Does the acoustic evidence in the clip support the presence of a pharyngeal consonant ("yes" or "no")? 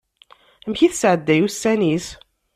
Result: yes